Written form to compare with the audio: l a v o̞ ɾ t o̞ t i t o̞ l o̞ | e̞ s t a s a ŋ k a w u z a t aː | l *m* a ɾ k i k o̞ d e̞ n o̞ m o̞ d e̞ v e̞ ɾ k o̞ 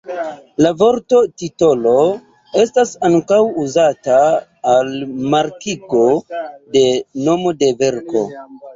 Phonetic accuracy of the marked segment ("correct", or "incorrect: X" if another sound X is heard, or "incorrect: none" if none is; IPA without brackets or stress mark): correct